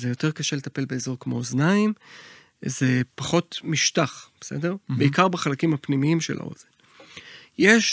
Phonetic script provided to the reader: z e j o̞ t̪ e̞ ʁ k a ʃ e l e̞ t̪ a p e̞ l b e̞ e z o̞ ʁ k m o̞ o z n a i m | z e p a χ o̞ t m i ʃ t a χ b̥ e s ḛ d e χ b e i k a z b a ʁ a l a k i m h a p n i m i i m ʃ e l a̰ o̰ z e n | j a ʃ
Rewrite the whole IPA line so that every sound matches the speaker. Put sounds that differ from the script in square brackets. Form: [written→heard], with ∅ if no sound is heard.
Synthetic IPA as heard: z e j o̞ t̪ e̞ ʁ k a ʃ e l e̞ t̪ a p e̞ l b e̞ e z o̞ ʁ k m o̞ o z n a i m | z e p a χ o̞ t m i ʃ t a χ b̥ e s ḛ d e [χ→ʁ] b e i k a [z→ʁ] b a [ʁ→χ] a l a k i m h a p n i m i i m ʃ e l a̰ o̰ z e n | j [a→e] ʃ